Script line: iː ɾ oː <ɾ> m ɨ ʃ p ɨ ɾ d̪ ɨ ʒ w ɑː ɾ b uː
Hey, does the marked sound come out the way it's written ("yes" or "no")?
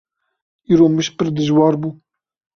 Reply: no